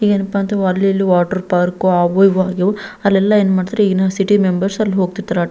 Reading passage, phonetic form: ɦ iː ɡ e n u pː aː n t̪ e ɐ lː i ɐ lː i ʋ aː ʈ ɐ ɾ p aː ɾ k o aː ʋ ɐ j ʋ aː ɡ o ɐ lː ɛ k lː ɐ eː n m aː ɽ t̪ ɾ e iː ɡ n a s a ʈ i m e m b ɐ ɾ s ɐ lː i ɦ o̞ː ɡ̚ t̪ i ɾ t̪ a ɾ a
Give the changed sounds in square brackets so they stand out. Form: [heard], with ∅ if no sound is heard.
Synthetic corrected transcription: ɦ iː ɡ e n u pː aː n t̪ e ɐ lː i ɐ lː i ʋ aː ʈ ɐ ɾ p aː ɾ k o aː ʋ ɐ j ʋ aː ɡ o ɐ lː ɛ [∅] lː ɐ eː n m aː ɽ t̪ ɾ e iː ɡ n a s [i] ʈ i m e m b ɐ ɾ s ɐ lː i ɦ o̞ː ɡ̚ t̪ i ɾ t̪ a ɾ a